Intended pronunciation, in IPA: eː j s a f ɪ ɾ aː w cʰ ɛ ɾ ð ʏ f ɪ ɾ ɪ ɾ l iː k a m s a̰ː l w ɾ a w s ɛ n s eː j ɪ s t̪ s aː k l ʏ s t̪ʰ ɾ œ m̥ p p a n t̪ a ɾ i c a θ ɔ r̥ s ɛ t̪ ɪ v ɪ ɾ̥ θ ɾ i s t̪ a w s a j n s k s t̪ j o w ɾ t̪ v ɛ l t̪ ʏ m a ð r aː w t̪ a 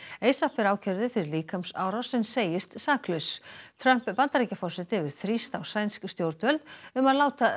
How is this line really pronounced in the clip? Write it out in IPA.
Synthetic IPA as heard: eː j s a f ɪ ɾ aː w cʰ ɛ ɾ ð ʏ f ɪ ɾ ɪ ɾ l iː k a m s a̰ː w ɾ a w s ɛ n s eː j ɪ s t̪ s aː k l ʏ s t̪ʰ ɾ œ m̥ p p a n t̪ a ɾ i c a f ɔ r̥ s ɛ t̪ ɪ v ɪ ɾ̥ θ ɾ i s t̪ a w s a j n s k s t̪ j o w ɾ t̪ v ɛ l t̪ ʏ m a ð l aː w t̪ a